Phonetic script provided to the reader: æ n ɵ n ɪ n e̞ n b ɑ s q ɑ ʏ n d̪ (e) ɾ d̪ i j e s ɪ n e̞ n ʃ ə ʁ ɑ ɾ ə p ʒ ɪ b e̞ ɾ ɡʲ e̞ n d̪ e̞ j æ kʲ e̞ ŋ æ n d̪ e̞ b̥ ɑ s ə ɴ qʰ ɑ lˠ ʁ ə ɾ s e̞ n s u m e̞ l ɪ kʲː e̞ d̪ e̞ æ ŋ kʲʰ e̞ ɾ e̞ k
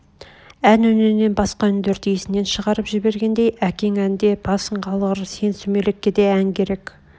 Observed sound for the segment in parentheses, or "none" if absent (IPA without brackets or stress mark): e